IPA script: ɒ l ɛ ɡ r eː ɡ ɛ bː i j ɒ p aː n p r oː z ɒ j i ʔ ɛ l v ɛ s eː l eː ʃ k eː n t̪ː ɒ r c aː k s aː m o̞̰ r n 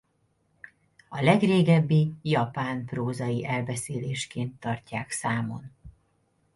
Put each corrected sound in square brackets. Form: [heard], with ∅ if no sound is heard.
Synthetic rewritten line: ɒ l ɛ ɡ r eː ɡ ɛ bː i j ɒ p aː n p r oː z ɒ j i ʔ ɛ l [b] ɛ s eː l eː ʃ k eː n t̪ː ɒ r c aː k s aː m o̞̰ [∅] n